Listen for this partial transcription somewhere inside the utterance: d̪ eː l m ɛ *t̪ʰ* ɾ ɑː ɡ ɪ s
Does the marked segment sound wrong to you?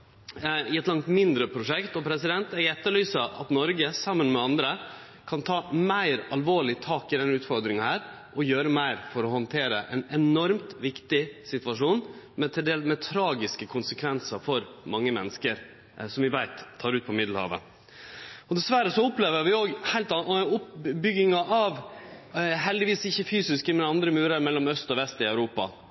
no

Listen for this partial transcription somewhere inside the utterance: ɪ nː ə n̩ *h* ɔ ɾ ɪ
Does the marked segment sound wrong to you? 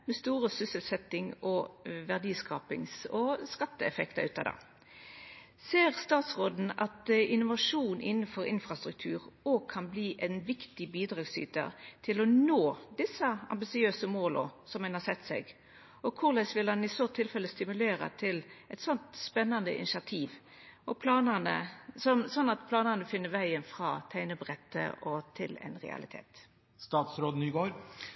yes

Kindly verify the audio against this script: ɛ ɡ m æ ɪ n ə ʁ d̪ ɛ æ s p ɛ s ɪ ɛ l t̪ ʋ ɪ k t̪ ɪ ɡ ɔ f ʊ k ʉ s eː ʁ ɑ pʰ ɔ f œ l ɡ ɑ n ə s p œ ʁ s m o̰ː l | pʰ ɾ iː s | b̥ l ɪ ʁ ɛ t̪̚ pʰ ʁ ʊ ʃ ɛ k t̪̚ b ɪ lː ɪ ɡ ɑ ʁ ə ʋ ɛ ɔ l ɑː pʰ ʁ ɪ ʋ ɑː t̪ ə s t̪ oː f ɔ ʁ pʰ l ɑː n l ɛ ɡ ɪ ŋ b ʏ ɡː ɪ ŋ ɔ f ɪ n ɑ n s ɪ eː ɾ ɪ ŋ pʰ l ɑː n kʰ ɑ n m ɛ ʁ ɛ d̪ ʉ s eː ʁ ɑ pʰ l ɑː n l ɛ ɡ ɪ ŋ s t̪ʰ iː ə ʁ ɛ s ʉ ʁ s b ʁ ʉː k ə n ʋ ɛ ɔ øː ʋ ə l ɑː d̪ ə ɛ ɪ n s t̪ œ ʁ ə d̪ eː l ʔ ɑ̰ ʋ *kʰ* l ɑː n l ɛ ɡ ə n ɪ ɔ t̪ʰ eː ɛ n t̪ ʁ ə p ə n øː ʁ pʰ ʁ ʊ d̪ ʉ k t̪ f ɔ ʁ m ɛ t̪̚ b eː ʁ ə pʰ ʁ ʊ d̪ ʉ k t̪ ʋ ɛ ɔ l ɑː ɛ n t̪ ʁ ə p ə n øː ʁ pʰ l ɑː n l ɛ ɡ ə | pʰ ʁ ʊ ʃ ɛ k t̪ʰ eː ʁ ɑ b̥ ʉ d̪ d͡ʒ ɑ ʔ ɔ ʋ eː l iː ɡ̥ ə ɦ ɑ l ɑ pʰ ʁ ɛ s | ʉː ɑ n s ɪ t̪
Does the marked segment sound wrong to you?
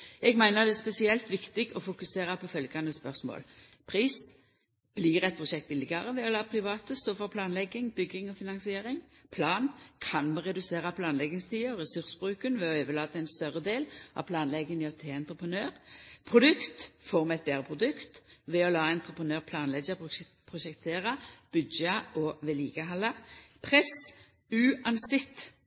yes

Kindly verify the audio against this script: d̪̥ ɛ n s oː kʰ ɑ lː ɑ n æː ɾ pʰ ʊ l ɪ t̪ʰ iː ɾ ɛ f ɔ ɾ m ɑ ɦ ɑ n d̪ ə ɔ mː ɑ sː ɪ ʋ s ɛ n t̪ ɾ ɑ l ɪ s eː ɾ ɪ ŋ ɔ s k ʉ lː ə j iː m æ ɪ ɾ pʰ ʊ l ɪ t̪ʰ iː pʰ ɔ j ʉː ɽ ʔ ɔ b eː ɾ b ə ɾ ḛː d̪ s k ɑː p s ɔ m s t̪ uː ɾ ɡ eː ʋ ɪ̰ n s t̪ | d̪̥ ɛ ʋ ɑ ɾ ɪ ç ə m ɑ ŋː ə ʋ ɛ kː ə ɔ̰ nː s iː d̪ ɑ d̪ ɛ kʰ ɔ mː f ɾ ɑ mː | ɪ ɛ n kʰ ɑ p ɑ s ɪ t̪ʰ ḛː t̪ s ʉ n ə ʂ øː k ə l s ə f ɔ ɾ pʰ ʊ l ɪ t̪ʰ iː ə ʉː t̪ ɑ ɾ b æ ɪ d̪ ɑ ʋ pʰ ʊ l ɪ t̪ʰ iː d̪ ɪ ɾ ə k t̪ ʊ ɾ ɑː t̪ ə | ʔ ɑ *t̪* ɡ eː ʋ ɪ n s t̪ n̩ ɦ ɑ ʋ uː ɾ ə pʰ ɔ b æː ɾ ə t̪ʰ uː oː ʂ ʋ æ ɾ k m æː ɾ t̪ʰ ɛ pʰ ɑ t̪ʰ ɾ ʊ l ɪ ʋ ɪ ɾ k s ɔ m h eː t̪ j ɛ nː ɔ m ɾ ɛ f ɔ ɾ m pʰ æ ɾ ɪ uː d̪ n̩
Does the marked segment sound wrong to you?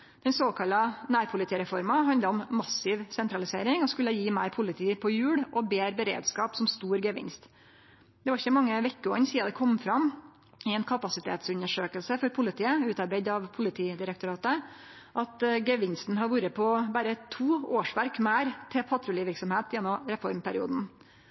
no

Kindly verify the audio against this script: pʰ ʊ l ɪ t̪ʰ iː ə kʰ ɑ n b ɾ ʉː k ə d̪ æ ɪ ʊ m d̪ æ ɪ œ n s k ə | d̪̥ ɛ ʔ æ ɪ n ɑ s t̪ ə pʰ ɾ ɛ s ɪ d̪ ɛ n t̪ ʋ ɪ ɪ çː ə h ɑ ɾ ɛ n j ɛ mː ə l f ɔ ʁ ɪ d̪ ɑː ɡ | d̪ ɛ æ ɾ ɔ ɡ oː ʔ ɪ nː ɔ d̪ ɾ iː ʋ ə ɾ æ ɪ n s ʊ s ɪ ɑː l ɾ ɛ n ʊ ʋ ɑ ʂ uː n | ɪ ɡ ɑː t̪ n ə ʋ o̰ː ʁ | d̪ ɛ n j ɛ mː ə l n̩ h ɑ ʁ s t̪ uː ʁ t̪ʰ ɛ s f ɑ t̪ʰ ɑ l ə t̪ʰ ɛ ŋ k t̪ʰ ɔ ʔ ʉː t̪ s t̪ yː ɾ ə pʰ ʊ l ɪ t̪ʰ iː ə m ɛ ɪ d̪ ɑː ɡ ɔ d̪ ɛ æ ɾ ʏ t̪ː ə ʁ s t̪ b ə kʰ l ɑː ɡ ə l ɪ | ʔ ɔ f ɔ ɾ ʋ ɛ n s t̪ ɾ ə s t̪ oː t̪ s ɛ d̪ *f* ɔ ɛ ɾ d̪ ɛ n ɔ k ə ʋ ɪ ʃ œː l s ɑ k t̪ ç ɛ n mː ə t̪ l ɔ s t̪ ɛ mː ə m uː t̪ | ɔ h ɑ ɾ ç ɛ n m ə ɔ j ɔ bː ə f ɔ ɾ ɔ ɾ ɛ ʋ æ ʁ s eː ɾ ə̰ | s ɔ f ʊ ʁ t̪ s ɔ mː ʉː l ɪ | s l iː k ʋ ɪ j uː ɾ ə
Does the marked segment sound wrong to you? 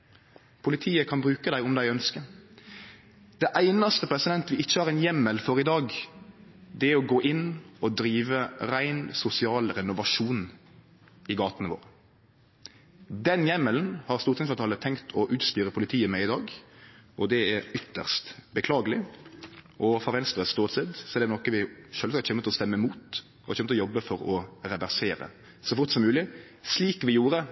yes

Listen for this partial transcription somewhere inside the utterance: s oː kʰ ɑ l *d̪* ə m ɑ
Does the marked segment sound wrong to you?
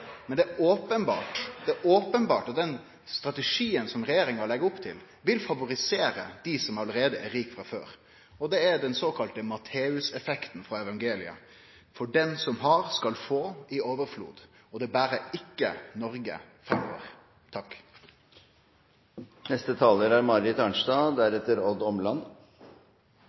yes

